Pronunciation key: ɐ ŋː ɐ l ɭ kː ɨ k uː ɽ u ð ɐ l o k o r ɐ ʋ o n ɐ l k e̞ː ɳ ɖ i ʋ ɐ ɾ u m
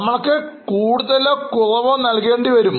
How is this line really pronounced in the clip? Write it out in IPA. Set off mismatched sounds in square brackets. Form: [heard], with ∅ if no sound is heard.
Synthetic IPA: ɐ [mː] ɐ [∅] ɭ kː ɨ k uː ɽ u ð ɐ l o k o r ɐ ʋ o n ɐ l k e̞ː ɳ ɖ i ʋ ɐ ɾ u m